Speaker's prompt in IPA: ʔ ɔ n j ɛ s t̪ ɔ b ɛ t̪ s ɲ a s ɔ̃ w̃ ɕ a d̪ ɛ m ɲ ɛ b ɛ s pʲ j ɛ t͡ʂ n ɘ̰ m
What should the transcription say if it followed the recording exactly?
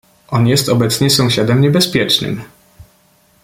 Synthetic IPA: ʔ ɔ n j ɛ s t̪ ɔ b ɛ t̪ s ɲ ɛ s ɔ̃ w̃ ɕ a d̪ ɛ m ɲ ɛ b ɛ s pʲ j ɛ t͡ʂ n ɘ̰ m

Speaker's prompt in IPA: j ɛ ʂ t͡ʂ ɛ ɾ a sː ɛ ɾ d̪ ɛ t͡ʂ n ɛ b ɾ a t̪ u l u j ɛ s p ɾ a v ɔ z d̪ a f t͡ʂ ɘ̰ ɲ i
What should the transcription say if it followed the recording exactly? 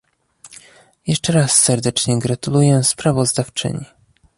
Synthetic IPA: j ɛ ʂ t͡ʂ ɛ ɾ a sː ɛ ɾ d̪ ɛ t͡ʂ ɲ ɛ ɡ ɾ a t̪ u l u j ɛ s p ɾ a v ɔ z d̪ a f t͡ʂ ɘ̰ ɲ i

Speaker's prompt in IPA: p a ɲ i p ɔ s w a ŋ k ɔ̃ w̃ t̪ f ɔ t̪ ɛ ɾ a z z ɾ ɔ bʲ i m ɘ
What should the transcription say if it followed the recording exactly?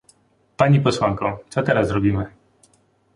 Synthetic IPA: p a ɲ i p ɔ s w a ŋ k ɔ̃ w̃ t̪ s ɔ t̪ ɛ ɾ a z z ɾ ɔ bʲ i m ɘ

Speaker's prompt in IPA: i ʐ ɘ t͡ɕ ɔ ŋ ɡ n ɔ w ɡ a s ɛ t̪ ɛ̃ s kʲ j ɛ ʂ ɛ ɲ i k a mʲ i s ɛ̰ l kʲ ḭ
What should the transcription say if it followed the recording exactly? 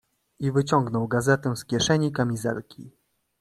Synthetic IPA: i v ɘ t͡ɕ ɔ ŋ ɡ n ɔ w ɡ a z ɛ t̪ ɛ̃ s kʲ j ɛ ʂ ɛ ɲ i k a mʲ i z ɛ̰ l kʲ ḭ

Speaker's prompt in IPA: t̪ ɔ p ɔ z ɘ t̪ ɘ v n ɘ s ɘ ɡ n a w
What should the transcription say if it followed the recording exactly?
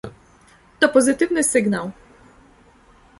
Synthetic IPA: t̪ ɔ p ɔ z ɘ t̪ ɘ v n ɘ s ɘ ɡ n a w

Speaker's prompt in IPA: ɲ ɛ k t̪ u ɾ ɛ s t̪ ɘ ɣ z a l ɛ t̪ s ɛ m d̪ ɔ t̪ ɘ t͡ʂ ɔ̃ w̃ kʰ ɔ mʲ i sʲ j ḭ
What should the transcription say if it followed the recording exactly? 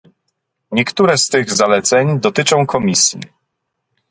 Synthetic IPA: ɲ ɛ k t̪ u ɾ ɛ s t̪ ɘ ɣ z a l ɛ t̪ s ɛ ɲ d̪ ɔ t̪ ɘ t͡ʂ ɔ̃ w̃ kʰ ɔ mʲ i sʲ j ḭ

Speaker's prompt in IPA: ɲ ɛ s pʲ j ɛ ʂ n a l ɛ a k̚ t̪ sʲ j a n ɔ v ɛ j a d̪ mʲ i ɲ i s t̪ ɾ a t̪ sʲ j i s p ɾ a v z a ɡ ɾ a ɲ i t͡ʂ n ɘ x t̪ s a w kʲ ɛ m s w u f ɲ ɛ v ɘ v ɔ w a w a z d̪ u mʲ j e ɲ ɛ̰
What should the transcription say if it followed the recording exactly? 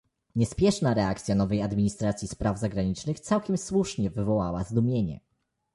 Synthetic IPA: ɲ ɛ s pʲ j ɛ ʂ n a ɾ ɛ a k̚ t̪ sʲ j a n ɔ v ɛ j a d̪ mʲ i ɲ i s t̪ ɾ a t̪ sʲ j i s p ɾ a v z a ɡ ɾ a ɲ i t͡ʂ n ɘ x t̪ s a w kʲ ɛ m s w u ʂ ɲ ɛ v ɘ v ɔ w a w a z d̪ u mʲ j e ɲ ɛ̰

